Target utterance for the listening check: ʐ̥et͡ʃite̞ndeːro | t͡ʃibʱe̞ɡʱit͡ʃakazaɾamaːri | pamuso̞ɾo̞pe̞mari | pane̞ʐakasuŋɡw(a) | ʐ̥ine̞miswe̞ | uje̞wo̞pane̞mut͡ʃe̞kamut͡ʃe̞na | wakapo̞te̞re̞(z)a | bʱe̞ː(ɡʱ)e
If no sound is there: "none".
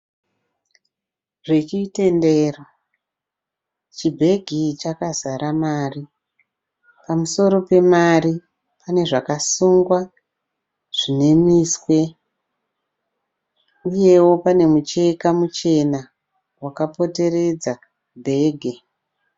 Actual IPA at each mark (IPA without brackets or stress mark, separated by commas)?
a, d͡z, ɡʱ